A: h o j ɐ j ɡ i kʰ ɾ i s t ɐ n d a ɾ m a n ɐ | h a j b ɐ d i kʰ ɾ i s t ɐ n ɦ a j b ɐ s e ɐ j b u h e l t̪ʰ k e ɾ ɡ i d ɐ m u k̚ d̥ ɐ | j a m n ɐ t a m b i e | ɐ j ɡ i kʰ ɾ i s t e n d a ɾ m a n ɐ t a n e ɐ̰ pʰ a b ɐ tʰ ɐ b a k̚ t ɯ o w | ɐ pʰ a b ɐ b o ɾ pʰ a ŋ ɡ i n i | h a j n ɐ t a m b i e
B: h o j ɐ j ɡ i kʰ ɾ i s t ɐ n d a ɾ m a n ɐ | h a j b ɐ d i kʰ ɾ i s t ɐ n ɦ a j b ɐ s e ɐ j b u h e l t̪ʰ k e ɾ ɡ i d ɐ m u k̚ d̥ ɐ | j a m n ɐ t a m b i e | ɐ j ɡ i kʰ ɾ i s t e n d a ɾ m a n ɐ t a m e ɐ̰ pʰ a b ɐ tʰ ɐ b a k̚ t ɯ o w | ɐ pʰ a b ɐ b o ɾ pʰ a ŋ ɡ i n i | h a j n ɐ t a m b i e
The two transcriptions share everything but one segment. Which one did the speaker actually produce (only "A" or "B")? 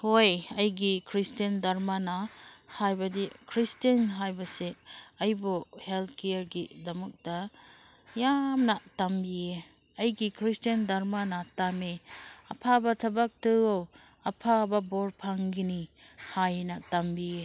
B